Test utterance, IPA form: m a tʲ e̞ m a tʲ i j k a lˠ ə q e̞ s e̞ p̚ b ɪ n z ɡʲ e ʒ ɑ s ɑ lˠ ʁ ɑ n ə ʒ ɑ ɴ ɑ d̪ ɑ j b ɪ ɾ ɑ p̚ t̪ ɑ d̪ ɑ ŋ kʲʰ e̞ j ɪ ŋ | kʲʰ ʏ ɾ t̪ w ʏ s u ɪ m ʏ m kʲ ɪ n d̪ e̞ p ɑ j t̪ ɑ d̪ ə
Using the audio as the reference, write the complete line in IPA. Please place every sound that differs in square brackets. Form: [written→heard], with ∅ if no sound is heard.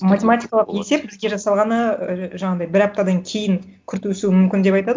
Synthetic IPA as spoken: m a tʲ e̞ m a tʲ i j k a lˠ ə q e̞ s e̞ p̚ b ɪ [n→∅] z ɡʲ e ʒ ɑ s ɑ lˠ ʁ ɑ n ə ʒ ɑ ɴ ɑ d̪ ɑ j b ɪ ɾ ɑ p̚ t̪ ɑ d̪ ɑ ŋ kʲʰ e̞ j ɪ ŋ | kʲʰ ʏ ɾ t̪ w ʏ s u ɪ m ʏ m kʲ ɪ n d̪ e̞ p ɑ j t̪ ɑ d̪ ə

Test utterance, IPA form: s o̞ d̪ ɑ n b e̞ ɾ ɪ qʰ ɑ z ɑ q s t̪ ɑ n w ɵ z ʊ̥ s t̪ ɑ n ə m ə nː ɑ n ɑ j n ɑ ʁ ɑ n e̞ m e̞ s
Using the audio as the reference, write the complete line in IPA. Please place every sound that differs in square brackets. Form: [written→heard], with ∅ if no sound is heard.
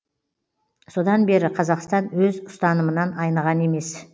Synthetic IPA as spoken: s o̞ d̪ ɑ n b e̞ ɾ ɪ qʰ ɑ z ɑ q s t̪ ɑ n w ɵ z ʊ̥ s t̪ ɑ n ə m ə [nː→n] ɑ n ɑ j n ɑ ʁ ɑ n e̞ m e̞ s

